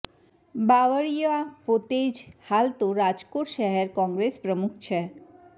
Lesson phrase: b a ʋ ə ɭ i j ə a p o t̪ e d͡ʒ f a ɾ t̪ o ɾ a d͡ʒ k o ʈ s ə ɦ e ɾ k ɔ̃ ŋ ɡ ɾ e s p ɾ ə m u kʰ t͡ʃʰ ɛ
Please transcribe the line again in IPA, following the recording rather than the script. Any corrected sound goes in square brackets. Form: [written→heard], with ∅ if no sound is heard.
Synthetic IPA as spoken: b a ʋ ə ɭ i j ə a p o t̪ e d͡ʒ [f→h] a [ɾ→l] t̪ o ɾ a d͡ʒ k o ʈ [s→ʃ] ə ɦ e ɾ k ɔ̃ ŋ ɡ ɾ e s p ɾ ə m u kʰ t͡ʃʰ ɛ

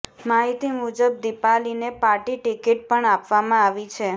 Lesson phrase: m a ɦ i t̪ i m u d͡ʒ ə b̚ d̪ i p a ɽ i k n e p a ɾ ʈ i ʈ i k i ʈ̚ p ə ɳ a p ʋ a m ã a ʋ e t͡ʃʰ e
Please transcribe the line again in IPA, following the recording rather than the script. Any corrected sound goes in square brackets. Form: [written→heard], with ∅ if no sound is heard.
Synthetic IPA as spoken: m a ɦ i t̪ i m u d͡ʒ ə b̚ d̪ i p a [ɽ→l] i [k→∅] n e p a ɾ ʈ i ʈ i k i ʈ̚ p ə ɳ a p ʋ a m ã a ʋ [e→i] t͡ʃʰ e

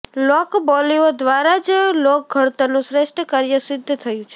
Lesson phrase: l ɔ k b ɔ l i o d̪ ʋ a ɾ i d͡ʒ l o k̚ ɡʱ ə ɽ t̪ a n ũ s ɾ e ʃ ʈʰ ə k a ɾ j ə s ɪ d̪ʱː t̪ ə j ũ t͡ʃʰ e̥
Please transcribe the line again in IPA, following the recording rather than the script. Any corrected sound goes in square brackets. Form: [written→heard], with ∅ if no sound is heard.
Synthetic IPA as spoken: l ɔ k b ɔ l i o d̪ ʋ a ɾ [i→a] d͡ʒ l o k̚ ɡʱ ə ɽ t̪ a n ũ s ɾ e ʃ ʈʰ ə k a ɾ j ə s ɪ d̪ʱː [t̪→t̪ʰ] ə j ũ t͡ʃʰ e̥

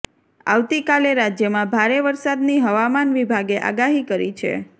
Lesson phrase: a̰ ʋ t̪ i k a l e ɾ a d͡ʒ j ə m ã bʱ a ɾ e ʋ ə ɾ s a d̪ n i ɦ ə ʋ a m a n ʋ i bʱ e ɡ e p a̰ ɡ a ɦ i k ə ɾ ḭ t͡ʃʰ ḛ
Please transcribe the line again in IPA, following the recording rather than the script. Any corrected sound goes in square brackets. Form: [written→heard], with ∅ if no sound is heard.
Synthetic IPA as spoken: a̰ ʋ t̪ i k a l e ɾ a d͡ʒ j ə m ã bʱ a ɾ e ʋ ə ɾ s a d̪ n i ɦ ə ʋ a m a n ʋ i bʱ [e→a] ɡ e [p→ʔ] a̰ ɡ a ɦ i k ə ɾ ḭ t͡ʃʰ ḛ

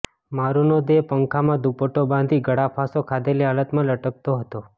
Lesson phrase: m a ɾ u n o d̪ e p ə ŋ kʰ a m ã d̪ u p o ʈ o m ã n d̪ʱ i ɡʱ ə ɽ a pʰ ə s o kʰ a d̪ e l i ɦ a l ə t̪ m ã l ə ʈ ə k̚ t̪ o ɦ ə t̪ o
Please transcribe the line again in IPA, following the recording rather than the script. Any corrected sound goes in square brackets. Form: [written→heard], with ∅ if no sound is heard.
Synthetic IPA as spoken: m a ɾ u n o d̪ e p ə ŋ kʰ a m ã d̪ u p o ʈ o [m→b] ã n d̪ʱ i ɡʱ ə ɽ a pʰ [ə→a] s o kʰ a d̪ e l i ɦ a l ə t̪ m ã l ə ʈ ə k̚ t̪ o ɦ ə t̪ o

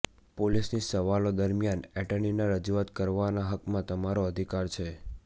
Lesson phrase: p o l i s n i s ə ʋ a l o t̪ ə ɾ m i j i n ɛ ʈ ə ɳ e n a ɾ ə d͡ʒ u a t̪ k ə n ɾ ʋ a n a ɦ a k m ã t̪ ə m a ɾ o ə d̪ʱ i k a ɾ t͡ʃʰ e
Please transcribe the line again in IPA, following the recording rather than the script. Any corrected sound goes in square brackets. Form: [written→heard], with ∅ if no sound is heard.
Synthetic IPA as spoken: p o l i s n i s ə ʋ a l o [t̪→d̪] ə ɾ m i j [i→a] n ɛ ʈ ə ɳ [e→i] n a ɾ ə d͡ʒ u a t̪ k ə [n→∅] ɾ ʋ a n a ɦ [a→ə] k m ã t̪ ə m a ɾ o ə d̪ʱ i k a ɾ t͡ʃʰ e

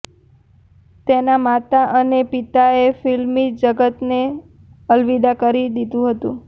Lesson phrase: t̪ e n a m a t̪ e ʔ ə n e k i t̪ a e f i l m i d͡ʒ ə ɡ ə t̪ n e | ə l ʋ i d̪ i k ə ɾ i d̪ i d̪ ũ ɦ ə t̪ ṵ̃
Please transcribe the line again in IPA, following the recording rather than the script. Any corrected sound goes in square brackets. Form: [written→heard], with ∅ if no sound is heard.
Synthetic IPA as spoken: t̪ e n a m a t̪ [e→a] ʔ ə n e [k→p] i t̪ a e f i l m i d͡ʒ ə ɡ ə t̪ n e | ə l ʋ i d̪ [i→a] k ə ɾ i d̪ i d̪ ũ ɦ ə t̪ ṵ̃

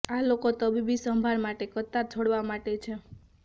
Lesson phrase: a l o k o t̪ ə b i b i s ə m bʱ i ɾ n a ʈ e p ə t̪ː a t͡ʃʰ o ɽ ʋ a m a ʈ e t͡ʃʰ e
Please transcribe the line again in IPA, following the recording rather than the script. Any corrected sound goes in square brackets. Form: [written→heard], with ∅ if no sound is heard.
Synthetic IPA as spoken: a l o k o t̪ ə b i b i s ə m bʱ [i→a] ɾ [n→m] a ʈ e [p→k] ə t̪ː a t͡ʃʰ o ɽ ʋ a m a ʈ e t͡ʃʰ e

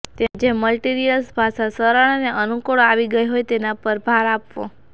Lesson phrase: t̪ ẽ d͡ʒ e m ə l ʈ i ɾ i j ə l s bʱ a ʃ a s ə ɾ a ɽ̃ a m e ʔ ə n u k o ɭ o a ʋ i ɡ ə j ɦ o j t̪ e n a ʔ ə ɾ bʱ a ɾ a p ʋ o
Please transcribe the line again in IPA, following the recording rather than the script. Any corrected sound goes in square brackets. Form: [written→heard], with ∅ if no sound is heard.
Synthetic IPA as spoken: t̪ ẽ d͡ʒ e m ə l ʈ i ɾ i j ə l s bʱ a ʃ a s ə ɾ a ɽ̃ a [m→n] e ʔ ə n u k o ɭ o a ʋ i ɡ ə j ɦ o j t̪ e n a [ʔ→p] ə ɾ bʱ a ɾ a p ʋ o

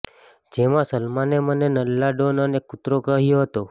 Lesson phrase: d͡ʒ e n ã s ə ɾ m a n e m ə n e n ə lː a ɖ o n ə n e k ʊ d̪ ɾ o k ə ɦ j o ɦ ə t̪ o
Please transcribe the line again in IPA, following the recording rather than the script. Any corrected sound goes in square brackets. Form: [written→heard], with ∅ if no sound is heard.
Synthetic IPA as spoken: d͡ʒ e [n→m] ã s ə [ɾ→l] m a n e m ə n e n ə lː a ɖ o n ə n e k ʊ [d̪→t̪] ɾ o k ə ɦ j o ɦ ə t̪ o

